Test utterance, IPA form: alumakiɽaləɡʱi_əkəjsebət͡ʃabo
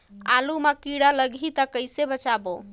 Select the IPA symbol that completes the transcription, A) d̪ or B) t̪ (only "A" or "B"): B